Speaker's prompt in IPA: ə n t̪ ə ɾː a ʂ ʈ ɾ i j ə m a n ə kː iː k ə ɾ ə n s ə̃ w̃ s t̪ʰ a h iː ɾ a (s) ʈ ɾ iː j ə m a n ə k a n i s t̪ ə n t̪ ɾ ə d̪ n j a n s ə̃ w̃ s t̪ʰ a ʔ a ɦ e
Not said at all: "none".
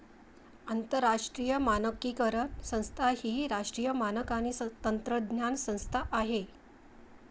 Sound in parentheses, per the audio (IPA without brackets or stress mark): ʂ